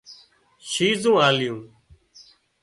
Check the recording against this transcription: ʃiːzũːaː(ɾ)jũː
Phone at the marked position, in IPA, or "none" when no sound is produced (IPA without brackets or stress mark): l